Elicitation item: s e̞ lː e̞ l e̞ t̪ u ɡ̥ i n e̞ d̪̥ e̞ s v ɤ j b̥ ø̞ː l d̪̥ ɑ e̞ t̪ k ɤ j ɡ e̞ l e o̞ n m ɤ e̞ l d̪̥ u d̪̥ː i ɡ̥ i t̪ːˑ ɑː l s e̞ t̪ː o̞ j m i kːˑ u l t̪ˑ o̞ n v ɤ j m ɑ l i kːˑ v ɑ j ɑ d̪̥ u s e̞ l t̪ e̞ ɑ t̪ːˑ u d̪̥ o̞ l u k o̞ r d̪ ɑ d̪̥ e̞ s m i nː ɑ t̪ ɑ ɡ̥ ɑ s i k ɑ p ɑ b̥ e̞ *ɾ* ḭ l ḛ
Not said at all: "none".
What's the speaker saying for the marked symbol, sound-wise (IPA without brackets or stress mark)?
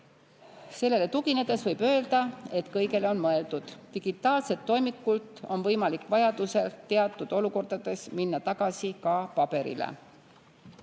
ɾ